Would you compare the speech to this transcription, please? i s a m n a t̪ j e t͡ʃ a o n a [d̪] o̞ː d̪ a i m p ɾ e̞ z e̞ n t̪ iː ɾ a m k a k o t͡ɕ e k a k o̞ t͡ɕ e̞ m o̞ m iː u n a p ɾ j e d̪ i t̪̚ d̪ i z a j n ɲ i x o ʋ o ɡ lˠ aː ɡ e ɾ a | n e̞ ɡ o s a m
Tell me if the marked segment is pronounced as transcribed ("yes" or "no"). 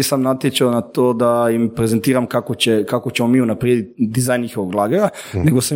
no